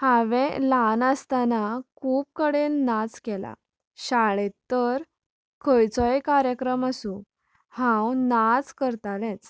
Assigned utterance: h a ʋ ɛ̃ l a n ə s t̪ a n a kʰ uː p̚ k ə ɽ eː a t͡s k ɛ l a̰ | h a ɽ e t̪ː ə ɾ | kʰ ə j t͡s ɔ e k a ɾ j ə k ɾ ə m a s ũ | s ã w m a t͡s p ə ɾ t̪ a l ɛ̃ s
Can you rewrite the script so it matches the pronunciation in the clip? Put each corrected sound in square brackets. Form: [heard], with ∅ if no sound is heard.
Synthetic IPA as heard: h a ʋ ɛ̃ l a n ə s t̪ a n a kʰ uː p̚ k ə ɽ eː a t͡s k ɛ l a̰ | [ɕ] a [ɭ] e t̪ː ə ɾ | kʰ ə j t͡s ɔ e k a ɾ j ə k ɾ ə m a s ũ | [h] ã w [n] a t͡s [k] ə ɾ t̪ a l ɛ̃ [t͡s]